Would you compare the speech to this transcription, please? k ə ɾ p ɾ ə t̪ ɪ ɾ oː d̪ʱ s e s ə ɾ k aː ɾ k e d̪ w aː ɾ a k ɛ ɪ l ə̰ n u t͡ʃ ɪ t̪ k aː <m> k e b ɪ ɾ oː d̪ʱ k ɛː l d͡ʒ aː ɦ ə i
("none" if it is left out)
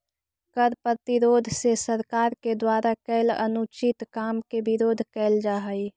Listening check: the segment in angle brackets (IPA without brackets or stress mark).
m